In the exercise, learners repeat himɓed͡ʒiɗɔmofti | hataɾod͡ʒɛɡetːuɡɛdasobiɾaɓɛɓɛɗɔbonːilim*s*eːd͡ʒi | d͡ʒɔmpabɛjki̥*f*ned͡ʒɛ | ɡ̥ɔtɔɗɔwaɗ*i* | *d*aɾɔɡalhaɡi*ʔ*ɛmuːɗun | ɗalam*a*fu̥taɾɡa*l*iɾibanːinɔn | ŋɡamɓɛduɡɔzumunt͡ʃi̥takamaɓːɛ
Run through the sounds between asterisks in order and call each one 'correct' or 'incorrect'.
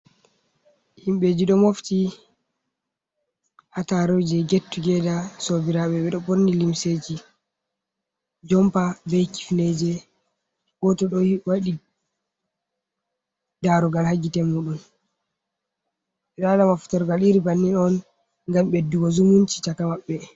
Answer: correct, correct, correct, correct, incorrect: t, correct, correct

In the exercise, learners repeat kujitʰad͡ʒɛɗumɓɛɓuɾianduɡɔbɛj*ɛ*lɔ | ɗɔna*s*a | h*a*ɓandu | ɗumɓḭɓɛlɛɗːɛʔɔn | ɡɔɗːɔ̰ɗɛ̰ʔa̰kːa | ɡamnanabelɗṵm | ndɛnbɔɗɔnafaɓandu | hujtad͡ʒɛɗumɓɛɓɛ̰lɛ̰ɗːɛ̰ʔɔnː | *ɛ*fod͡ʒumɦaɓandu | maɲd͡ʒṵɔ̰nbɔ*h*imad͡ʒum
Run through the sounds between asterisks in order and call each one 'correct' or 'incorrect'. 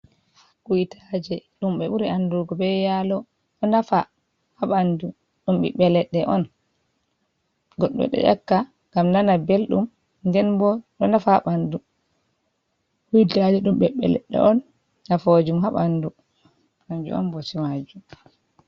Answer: incorrect: a, incorrect: f, correct, incorrect: a, incorrect: s

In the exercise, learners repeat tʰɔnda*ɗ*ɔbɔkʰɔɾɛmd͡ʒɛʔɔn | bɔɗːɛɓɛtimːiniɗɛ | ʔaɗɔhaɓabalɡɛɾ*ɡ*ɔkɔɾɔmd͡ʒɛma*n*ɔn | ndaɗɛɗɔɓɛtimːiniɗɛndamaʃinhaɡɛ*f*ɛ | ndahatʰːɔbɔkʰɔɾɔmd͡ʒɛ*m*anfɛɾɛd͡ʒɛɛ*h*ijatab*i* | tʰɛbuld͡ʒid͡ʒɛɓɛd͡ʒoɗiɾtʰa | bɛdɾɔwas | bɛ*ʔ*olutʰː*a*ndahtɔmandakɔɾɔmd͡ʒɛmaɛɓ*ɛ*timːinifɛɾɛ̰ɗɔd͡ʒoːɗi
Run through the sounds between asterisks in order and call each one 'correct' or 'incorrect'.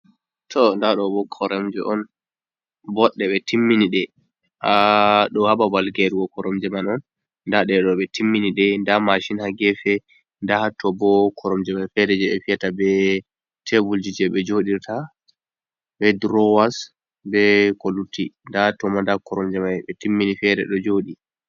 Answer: correct, correct, correct, correct, correct, incorrect: f, incorrect: ɛ, incorrect: k, incorrect: i, correct

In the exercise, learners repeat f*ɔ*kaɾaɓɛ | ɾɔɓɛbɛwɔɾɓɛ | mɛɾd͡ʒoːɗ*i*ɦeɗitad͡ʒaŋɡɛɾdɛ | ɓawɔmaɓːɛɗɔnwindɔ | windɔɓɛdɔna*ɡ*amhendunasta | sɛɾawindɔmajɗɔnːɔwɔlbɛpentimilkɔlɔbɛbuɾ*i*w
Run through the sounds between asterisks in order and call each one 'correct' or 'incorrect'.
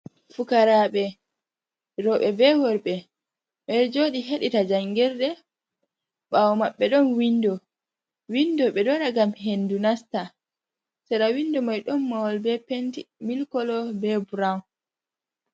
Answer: incorrect: u, correct, correct, incorrect: a

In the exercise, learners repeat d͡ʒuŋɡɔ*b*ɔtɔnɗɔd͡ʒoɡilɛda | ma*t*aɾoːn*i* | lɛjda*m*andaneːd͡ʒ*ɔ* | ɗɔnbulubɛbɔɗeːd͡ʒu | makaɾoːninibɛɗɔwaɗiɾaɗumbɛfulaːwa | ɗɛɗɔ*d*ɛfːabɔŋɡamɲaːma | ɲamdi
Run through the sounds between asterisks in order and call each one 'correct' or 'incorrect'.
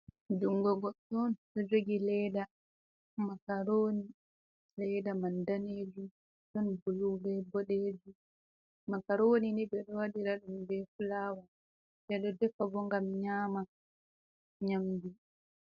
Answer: incorrect: ɡ, incorrect: k, correct, correct, incorrect: u, correct

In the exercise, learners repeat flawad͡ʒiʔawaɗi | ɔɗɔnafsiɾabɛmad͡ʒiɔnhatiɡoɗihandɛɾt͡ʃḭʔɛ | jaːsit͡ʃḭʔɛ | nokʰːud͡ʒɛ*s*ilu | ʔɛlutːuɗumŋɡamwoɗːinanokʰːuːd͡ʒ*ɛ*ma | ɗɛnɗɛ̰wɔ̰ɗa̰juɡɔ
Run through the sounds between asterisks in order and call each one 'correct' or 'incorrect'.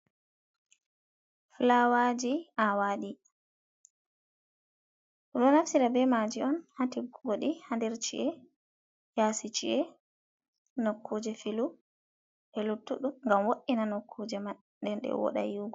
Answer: incorrect: f, correct

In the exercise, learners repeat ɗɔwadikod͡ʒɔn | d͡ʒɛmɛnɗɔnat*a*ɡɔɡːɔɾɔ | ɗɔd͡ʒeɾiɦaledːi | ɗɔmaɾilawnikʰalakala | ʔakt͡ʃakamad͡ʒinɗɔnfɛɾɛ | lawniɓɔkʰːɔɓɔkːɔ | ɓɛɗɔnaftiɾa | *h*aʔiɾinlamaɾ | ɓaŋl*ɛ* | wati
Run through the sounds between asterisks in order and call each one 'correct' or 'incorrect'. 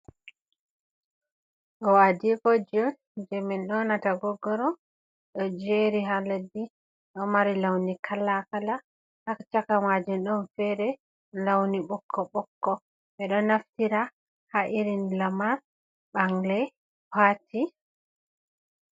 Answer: correct, correct, correct

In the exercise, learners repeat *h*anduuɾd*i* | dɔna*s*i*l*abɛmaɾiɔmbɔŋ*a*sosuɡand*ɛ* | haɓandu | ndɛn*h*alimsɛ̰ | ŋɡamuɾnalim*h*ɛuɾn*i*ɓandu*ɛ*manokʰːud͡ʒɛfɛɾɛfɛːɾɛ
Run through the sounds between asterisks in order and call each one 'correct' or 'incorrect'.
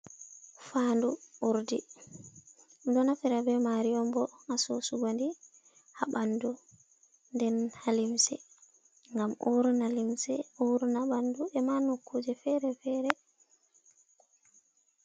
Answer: incorrect: f, correct, incorrect: f, incorrect: ɾ, correct, incorrect: i, correct, incorrect: s, incorrect: a, correct

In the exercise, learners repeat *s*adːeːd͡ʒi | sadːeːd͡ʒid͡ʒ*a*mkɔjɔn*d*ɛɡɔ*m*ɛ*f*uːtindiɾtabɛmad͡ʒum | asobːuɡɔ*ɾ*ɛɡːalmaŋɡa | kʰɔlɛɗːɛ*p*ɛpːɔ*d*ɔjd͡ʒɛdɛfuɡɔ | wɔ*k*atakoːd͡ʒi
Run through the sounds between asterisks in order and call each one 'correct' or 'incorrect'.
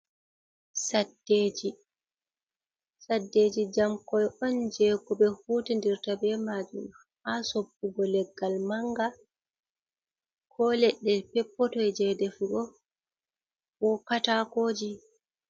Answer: correct, correct, incorrect: d͡ʒ, incorrect: b, incorrect: h, incorrect: l, correct, incorrect: t, correct

